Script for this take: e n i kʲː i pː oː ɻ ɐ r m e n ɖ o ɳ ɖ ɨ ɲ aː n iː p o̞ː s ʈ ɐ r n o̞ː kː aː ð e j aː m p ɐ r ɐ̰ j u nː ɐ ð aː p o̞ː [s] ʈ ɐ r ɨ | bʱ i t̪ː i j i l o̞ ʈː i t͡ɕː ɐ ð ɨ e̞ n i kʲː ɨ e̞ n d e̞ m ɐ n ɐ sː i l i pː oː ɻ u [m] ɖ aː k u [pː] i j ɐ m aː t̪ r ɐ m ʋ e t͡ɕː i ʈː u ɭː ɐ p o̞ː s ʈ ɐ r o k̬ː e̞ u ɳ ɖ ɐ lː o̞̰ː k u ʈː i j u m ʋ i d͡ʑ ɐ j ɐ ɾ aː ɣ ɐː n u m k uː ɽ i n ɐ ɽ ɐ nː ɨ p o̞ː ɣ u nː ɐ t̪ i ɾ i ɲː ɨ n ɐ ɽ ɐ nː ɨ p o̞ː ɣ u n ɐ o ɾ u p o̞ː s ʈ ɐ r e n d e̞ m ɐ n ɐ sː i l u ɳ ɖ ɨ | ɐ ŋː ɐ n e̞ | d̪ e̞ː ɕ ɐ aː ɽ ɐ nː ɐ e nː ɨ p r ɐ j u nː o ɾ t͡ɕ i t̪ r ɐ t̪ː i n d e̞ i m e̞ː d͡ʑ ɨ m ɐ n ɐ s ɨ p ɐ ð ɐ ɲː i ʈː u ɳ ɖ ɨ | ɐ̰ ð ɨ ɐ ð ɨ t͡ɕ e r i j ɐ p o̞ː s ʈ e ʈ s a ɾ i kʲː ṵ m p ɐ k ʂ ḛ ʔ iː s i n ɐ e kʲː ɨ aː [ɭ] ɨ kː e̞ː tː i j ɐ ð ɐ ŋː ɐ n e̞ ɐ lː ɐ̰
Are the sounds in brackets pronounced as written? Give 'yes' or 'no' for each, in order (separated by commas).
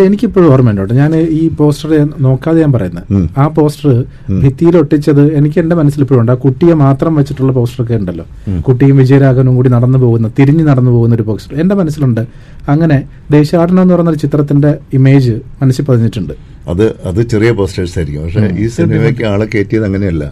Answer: yes, no, no, yes